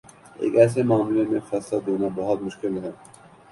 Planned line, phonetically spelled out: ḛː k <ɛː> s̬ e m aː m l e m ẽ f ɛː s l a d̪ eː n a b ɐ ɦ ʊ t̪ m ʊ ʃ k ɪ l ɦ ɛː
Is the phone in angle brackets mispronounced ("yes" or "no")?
no